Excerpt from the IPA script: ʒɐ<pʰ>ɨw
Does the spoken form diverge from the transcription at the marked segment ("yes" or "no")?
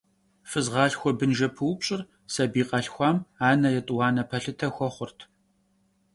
no